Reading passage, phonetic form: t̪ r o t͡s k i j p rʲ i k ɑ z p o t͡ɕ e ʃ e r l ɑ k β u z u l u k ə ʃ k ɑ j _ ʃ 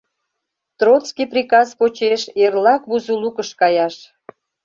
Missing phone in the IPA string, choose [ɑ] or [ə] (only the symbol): ɑ